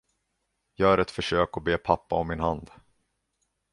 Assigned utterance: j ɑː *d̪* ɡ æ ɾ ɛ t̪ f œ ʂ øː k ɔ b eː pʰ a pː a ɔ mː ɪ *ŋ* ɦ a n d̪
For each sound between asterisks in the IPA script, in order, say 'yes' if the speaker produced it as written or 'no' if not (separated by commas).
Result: no, no